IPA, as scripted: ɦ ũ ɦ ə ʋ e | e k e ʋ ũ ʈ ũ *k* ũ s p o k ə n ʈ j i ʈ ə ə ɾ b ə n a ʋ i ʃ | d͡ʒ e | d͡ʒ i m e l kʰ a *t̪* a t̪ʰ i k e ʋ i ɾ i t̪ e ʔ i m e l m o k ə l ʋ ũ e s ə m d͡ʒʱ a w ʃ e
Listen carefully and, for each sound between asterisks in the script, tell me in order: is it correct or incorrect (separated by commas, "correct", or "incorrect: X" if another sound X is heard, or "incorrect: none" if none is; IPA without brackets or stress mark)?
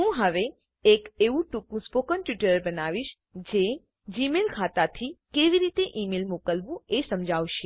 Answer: correct, correct